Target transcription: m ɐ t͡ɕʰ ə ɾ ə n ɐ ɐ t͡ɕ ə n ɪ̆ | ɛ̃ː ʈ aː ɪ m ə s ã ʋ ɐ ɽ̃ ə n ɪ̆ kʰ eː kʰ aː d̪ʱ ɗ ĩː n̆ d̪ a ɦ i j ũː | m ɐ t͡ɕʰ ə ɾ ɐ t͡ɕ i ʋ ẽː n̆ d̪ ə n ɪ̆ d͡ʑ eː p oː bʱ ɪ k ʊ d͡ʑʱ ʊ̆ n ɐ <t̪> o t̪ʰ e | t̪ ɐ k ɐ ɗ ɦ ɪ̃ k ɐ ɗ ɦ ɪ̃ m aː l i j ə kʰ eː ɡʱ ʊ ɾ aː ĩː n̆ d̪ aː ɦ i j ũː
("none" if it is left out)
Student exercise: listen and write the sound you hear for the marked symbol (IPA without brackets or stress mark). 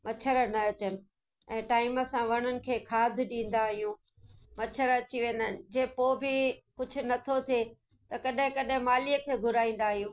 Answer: t̪ʰ